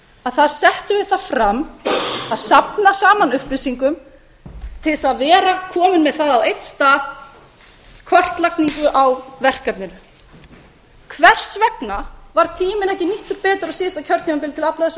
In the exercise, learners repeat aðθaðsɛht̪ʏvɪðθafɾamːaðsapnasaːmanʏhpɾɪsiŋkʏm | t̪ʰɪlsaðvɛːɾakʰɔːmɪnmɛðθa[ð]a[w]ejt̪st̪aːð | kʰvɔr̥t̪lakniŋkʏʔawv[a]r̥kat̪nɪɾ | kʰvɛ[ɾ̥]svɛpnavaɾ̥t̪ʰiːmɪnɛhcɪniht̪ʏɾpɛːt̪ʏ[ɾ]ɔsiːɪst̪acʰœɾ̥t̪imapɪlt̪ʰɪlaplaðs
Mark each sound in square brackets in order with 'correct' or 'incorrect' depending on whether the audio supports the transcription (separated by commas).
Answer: correct, correct, incorrect, incorrect, correct